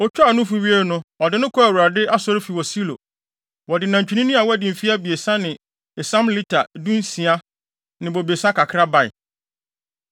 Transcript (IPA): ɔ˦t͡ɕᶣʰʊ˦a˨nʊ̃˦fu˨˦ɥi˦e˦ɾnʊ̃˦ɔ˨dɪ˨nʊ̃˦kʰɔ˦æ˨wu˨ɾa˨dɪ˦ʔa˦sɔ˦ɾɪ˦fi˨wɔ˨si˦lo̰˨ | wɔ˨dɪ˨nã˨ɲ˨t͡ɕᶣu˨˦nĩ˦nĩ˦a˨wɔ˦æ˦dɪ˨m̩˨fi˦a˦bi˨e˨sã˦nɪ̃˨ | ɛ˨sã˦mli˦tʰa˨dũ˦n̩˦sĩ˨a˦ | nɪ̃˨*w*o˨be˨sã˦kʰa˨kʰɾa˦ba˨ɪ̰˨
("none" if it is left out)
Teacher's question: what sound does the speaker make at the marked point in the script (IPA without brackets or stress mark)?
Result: b